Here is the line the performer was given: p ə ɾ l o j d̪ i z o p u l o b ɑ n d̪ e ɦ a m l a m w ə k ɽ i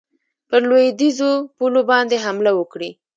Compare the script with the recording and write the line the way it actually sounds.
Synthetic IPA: p ə ɾ l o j d̪ i z o p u l o b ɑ n d̪ e ɦ a m l a w ə k ɽ i